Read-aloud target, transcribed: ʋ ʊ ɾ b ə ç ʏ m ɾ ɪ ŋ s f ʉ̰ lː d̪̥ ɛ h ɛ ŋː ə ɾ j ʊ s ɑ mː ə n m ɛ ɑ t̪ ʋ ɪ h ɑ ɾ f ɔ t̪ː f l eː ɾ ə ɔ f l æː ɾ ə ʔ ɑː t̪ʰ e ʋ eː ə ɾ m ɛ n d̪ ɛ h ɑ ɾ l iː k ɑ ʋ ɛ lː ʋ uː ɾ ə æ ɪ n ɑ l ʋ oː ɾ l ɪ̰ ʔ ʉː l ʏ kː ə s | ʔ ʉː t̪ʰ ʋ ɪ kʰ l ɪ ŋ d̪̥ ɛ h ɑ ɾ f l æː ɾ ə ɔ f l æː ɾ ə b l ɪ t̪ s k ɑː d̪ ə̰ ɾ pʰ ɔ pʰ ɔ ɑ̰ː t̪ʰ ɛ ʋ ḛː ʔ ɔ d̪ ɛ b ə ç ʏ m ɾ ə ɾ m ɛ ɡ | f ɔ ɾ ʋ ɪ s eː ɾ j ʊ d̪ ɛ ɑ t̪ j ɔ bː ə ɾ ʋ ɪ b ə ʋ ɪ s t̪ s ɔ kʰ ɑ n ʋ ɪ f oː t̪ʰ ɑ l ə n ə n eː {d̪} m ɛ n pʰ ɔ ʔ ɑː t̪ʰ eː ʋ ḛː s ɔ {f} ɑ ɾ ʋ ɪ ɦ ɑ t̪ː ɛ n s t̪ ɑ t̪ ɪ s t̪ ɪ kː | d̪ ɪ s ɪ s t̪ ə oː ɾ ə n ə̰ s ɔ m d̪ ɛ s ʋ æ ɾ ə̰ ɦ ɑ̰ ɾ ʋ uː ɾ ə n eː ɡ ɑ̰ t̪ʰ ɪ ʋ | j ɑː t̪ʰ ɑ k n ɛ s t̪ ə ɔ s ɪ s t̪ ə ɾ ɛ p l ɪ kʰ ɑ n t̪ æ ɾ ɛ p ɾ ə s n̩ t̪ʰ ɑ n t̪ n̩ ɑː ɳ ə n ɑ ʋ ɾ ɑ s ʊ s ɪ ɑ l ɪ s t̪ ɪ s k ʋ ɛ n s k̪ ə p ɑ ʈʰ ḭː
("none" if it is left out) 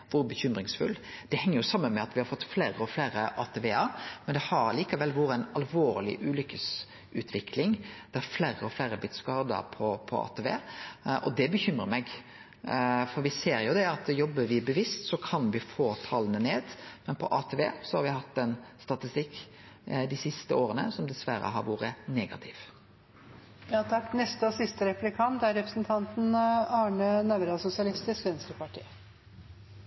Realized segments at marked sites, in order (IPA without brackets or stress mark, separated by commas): d̪, h